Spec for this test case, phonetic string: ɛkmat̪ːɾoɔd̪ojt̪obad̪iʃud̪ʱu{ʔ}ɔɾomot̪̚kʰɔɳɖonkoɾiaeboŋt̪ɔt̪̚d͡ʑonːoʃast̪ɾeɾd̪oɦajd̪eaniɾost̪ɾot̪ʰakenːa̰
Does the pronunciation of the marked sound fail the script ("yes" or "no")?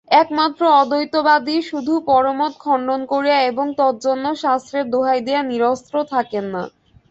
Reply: yes